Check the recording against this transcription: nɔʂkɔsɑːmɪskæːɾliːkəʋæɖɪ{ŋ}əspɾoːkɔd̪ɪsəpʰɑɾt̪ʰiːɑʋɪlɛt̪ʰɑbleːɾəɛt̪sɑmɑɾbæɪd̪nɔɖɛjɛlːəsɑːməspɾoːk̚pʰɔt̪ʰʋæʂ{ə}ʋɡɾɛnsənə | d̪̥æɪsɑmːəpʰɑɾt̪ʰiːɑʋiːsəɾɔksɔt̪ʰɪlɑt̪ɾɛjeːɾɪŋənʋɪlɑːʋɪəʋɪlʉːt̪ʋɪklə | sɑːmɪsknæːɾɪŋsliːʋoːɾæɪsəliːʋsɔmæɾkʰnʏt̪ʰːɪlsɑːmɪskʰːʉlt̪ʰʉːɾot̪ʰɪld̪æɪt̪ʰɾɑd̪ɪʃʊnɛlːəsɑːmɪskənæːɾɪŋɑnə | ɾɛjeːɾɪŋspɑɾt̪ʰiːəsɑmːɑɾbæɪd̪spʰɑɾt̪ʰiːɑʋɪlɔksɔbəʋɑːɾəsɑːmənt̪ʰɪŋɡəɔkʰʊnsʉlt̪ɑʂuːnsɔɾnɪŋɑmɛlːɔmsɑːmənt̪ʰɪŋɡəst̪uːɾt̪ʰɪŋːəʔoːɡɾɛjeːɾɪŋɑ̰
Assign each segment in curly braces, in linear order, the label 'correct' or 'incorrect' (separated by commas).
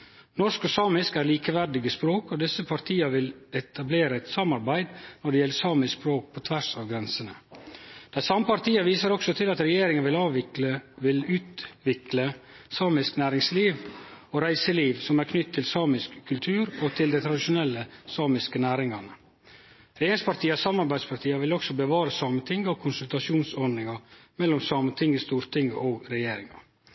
incorrect, incorrect